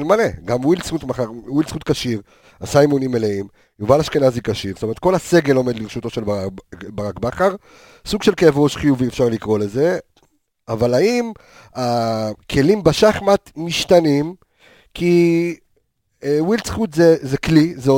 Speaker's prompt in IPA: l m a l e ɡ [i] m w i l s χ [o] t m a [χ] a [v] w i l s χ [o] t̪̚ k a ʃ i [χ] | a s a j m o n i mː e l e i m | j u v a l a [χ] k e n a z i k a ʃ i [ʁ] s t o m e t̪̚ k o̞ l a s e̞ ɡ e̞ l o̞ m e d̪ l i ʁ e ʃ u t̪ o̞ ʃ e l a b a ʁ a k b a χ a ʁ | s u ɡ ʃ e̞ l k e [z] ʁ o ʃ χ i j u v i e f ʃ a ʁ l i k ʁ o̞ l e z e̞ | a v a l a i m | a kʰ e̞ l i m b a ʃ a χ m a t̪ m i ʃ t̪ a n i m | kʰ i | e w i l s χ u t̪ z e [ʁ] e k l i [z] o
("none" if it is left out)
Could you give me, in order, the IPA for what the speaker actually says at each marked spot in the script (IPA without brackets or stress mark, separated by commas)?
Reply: a, u, χ, ʁ, u, ʁ, ʃ, ʁ, v, z, z